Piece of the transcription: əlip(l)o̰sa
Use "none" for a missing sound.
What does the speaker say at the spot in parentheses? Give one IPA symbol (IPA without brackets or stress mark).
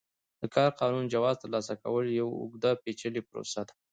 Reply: ɾ